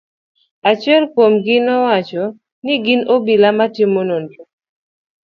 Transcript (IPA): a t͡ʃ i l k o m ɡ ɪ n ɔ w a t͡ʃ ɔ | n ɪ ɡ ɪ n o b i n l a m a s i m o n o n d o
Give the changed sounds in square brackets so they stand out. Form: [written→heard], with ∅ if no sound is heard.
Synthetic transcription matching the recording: a t͡ʃ [i→ɛ] l k o m ɡ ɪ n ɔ w a t͡ʃ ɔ | n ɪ ɡ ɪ n o b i [n→∅] l a m a [s→t] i m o n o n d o